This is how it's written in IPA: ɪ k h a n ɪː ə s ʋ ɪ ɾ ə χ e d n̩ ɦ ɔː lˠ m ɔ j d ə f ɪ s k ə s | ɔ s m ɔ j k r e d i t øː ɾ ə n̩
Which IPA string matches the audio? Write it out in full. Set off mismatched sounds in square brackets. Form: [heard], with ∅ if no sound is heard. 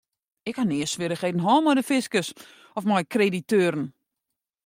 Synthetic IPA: ɪ k h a n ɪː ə s ʋ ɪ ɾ ə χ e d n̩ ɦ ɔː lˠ m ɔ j d ə f ɪ s k ə s | ɔ [f] m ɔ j k r e d i t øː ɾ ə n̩

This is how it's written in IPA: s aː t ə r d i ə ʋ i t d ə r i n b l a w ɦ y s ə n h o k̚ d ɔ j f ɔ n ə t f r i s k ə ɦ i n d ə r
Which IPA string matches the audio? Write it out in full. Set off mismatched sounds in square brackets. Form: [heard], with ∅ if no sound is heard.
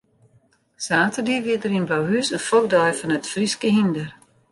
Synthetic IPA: s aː t ə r d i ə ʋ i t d ə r i n b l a w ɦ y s ə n [f] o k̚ d ɔ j f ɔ n ə t f r i s k ə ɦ i n d ə r

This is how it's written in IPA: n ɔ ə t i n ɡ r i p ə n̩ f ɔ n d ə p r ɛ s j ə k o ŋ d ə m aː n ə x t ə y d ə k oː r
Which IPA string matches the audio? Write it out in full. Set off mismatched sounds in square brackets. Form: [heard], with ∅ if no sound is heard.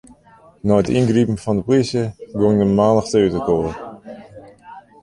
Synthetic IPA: n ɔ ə t i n ɡ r i p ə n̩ f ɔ n d ə p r [i] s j ə [ɡ] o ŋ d ə m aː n ə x t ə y [t] ə k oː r

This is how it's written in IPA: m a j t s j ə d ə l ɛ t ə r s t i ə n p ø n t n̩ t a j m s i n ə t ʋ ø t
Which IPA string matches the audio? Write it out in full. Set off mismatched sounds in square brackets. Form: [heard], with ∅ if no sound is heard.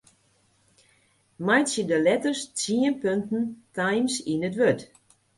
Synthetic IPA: m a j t s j ə d ə l ɛ t ə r s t i ə n p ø n t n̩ t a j m s i n ə t ʋ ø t

